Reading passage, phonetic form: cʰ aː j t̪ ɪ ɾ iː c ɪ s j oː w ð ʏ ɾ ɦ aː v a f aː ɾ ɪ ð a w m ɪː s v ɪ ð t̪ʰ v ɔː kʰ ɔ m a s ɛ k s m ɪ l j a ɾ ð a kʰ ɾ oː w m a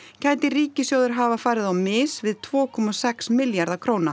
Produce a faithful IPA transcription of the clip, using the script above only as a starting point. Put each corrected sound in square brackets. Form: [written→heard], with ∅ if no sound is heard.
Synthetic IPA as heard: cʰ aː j t̪ ɪ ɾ iː c ɪ s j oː w ð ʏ ɾ ɦ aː v a f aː ɾ ɪ ð a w m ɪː s v ɪ ð t̪ʰ v ɔː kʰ ɔ m a s ɛ k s m ɪ l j a ɾ ð a kʰ ɾ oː w [m→n] a